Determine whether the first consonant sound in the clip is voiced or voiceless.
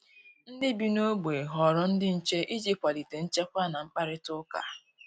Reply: voiced